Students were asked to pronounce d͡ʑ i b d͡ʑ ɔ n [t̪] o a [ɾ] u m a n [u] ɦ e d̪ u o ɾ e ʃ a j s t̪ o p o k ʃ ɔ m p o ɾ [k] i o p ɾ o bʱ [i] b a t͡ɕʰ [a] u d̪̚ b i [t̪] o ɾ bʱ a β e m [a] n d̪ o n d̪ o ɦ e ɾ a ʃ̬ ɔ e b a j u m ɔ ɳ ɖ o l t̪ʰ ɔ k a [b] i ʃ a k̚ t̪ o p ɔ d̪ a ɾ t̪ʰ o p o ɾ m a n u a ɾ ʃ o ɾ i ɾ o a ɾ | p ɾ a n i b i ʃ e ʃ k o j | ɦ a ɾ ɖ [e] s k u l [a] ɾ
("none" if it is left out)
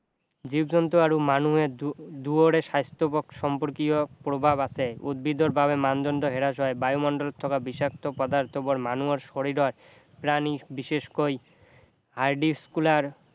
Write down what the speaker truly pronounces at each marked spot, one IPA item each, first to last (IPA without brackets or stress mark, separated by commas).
t̪, ɾ, u, k, a, e, d̪, a, b, i, a